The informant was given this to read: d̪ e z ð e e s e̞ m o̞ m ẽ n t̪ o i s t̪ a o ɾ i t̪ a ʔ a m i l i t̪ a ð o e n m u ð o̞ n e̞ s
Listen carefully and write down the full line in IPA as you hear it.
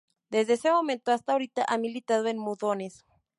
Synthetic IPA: d̪ e z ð e e s e̞ m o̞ m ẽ n t̪ o a s t̪ a o ɾ i t̪ a ʔ a m i l i t̪ a ð o e n m u ð o̞ n e̞ s

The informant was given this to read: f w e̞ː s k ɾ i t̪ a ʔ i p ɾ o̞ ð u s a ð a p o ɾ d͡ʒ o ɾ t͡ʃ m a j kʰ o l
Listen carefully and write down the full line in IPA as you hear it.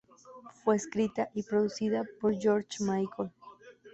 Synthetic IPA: f w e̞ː s k ɾ i t̪ a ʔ i p ɾ o̞ ð u s i ð a p o ɾ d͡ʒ o ɾ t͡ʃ m a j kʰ o l

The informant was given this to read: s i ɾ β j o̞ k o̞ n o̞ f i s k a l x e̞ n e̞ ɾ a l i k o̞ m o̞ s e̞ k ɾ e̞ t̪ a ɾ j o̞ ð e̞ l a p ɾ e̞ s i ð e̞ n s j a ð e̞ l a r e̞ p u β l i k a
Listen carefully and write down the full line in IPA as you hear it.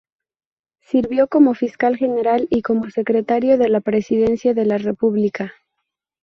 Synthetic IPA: s i ɾ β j o̞ k o̞ m o̞ f i s k a l x e̞ n e̞ ɾ a l i k o̞ m o̞ s e̞ k ɾ e̞ t̪ a ɾ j o̞ ð e̞ l a p ɾ e̞ s i ð e̞ n s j a ð e̞ l a r e̞ p u β l i k a

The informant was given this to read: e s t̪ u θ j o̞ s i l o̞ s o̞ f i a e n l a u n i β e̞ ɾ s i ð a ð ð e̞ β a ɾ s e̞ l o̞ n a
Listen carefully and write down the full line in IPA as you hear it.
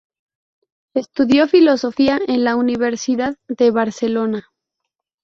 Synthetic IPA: e s t̪ u ð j o̞ f i l o̞ s o̞ f i a e n l a u n i β e̞ ɾ s i ð a ð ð e̞ β a ɾ s e̞ l o̞ n a

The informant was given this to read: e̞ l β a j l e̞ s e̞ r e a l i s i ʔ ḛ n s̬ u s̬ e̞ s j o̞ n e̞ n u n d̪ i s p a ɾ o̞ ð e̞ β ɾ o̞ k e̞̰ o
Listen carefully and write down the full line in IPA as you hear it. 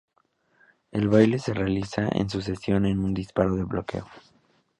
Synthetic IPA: e̞ l β a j l e̞ s e̞ r e a l i s a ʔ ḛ n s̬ u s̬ e̞ s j o̞ n e̞ n u n d̪ i s p a ɾ o̞ ð e̞ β l o̞ k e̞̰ o

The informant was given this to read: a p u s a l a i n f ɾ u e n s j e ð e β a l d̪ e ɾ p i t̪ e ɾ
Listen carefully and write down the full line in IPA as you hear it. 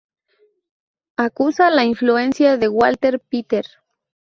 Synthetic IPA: a k u s a l a i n f l u e n s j a ð e w a l t̪ e ɾ p i t̪ e ɾ

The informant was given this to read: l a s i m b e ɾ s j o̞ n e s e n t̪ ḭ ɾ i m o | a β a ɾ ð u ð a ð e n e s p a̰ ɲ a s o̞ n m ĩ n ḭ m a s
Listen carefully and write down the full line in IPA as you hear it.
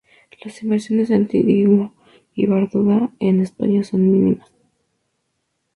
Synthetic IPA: l a s i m b e ɾ s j o̞ n e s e n t̪ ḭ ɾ i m o | i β a ɾ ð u ð a e n e s p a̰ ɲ a s o̞ n m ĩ n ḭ m a s

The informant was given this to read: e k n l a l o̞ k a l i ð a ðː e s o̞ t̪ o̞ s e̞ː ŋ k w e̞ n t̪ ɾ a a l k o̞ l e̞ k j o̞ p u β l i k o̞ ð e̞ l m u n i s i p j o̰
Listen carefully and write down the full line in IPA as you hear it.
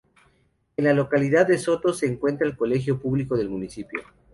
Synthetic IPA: e n l a l o̞ k a l i ð a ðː e s o̞ t̪ o̞ s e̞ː ŋ k w e̞ n t̪ ɾ a e l k o̞ l e̞ x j o̞ p u β l i k o̞ ð e̞ l m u n i s i p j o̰

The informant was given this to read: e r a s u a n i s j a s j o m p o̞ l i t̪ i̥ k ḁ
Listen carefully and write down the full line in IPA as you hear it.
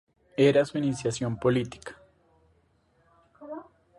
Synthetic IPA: e ɾ a s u i n i s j a s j o m p o̞ l i t̪ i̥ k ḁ

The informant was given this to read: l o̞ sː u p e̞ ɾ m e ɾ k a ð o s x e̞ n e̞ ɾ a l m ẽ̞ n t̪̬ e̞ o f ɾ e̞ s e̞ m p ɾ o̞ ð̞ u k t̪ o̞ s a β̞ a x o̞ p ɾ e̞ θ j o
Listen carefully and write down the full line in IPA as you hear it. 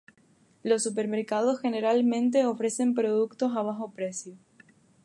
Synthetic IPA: l o̞ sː u p e̞ ɾ m e ɾ k a ð o s x e̞ n e̞ ɾ a l m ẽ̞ n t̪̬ e̞ o f ɾ e̞ s e̞ m p ɾ o̞ ð̞ u k t̪ o̞ s a β̞ a x o̞ p ɾ e̞ s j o

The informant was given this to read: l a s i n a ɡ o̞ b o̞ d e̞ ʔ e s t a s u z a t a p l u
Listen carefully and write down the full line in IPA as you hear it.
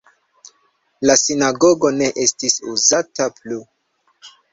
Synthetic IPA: l a s i n a ɡ o̞ ɡ o̞ n e̞ ʔ e s t i s u z a t a p l u

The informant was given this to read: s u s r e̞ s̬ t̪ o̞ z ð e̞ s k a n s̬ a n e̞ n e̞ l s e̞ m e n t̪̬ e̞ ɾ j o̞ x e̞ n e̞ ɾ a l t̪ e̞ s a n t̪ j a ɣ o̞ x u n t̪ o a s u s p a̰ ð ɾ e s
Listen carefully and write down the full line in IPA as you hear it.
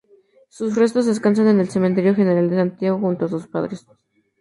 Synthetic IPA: s u s r e̞ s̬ t̪ o̞ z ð e̞ s k a n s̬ a n e̞ n e̞ l s e̞ m e n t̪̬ e̞ ɾ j o̞ x e̞ n e̞ ɾ a l d̪ e̞ s a n t̪ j a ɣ o̞ x u n t̪ o a s u s p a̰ ð ɾ e s

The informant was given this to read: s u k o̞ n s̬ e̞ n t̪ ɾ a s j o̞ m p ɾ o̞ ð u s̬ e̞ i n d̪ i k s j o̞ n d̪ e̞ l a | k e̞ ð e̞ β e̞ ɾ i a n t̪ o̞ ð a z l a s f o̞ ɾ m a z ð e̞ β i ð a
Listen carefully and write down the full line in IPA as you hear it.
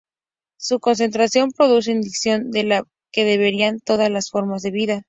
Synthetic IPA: s u k o̞ n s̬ e̞ n t̪ ɾ a s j o̞ m p ɾ o̞ ð u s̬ e̞ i n d̪ i k s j o̞ n d̪ e̞ l a | k e̞ ð e̞ β e̞ ɾ i a n t̪ o̞ ð a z l a s f o̞ ɾ m a z ð e̞ β i ð a

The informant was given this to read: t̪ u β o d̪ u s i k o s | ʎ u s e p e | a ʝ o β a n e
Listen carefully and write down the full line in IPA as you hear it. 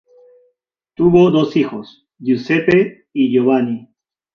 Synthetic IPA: t̪ u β o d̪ o s i x o s | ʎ u s e p e | i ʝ o β a n i

